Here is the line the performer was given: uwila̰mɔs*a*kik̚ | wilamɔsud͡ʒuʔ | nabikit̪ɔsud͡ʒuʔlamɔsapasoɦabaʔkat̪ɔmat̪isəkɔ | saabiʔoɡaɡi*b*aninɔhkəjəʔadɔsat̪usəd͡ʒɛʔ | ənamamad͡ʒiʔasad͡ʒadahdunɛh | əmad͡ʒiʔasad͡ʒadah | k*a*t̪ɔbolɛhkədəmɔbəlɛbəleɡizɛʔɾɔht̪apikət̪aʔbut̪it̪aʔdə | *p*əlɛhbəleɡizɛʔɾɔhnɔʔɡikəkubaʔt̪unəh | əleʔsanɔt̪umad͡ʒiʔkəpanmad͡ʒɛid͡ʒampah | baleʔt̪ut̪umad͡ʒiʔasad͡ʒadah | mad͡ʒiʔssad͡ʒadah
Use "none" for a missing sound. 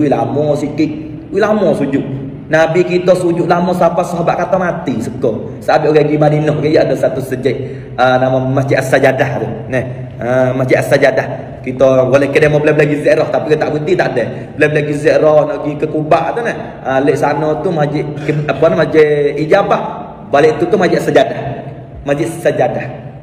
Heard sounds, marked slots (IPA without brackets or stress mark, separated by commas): i, m, i, b